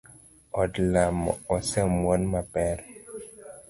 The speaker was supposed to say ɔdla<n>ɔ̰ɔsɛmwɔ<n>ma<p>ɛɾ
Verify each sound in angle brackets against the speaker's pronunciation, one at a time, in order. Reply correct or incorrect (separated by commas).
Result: incorrect, correct, correct